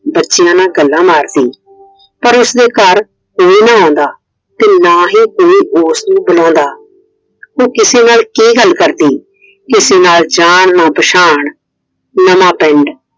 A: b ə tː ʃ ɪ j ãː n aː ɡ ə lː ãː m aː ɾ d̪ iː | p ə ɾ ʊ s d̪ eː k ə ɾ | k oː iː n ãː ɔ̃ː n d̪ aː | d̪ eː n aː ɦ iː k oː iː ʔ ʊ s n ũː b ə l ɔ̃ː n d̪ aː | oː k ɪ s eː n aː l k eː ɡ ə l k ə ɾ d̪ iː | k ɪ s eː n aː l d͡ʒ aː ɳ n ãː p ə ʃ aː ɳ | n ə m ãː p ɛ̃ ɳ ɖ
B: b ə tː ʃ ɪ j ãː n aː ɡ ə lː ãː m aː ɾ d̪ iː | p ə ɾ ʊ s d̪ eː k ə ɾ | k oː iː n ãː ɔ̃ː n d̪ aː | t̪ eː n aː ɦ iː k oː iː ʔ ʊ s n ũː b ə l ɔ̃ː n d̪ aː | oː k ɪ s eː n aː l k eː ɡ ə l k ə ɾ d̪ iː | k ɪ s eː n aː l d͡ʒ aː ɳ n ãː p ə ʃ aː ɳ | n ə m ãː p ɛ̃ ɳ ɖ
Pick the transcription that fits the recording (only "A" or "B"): B